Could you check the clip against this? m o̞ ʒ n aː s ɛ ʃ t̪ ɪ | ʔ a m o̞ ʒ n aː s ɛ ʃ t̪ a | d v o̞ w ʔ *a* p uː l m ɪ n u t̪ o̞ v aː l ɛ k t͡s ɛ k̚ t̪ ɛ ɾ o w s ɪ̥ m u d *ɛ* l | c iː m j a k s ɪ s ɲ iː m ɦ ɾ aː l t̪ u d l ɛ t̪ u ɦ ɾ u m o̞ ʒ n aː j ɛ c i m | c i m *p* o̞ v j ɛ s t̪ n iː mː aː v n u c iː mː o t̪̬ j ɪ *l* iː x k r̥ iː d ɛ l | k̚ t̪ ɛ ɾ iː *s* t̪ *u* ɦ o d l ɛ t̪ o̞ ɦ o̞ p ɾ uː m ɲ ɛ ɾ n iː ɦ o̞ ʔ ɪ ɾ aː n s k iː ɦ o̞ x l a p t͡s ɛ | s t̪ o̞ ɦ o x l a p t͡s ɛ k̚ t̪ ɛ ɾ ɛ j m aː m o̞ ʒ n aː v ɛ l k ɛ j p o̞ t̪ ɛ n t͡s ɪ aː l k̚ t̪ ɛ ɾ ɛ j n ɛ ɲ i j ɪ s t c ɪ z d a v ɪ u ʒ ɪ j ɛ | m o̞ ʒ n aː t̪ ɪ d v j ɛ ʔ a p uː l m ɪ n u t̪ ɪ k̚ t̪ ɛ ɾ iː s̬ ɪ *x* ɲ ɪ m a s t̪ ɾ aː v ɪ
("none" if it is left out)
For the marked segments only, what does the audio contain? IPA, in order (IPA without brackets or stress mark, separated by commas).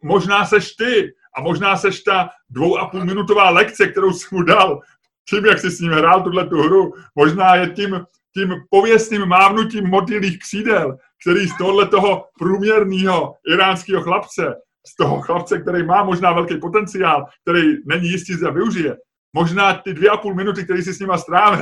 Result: a, a, p, l, s, o, s